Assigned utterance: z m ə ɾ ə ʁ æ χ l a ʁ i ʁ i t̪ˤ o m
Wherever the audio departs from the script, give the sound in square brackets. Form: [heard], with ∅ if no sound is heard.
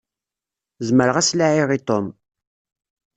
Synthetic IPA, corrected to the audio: z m ə ɾ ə ʁ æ [s] l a [ʕ] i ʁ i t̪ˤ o m